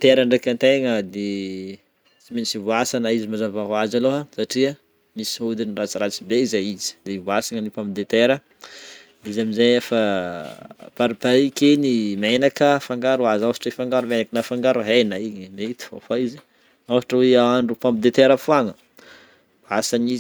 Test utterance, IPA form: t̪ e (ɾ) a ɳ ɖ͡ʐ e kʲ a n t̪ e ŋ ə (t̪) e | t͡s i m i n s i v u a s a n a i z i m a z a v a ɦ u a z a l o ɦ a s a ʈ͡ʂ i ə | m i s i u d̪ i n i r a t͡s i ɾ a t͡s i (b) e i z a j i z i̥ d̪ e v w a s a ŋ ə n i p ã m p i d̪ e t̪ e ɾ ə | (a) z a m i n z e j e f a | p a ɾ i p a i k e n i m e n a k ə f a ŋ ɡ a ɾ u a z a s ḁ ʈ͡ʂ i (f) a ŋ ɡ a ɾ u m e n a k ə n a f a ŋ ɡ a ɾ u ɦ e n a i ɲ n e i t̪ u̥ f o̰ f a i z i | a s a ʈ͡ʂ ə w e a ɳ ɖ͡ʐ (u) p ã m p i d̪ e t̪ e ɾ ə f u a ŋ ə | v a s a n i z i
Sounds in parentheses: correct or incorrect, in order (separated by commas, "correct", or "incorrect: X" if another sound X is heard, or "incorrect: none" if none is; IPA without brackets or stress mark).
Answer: correct, incorrect: d̪, correct, incorrect: i, correct, correct